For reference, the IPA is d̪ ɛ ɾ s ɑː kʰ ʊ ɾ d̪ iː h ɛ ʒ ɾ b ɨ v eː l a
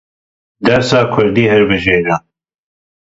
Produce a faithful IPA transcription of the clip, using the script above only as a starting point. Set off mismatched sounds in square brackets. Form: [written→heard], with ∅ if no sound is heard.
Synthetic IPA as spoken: d̪ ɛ ɾ s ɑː kʰ ʊ ɾ d̪ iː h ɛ [ʒ→∅] ɾ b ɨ [v→ʒ] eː [l→ɾ] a